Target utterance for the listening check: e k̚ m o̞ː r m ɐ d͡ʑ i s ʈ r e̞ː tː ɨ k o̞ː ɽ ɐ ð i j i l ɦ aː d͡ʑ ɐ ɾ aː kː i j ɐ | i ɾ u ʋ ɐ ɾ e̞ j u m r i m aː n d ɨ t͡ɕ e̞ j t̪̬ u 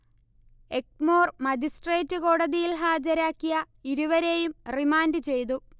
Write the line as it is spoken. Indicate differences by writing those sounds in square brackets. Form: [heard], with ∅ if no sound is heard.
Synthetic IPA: e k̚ m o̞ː r m ɐ d͡ʑ i s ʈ r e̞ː tː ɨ k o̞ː ɽ ɐ ð i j i l ɦ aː d͡ʑ ɐ ɾ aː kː i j ɐ | i ɾ u ʋ ɐ ɾ e̞ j u m r i m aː n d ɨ t͡ɕ e̞ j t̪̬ u